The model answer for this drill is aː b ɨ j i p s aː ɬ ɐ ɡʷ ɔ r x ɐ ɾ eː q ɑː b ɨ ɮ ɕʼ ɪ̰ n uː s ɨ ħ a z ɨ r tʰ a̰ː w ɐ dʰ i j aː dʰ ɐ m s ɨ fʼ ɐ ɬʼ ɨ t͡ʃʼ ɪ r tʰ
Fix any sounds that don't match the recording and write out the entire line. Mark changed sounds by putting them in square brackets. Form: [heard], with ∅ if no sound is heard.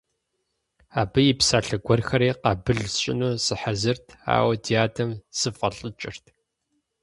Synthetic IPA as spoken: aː b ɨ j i p s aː ɬ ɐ ɡʷ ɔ r x ɐ ɾ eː q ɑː b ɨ ɮ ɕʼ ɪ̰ n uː s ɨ ħ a z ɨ r tʰ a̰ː w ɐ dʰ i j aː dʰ ɐ m s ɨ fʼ ɐ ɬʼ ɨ t͡ʃʼ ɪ r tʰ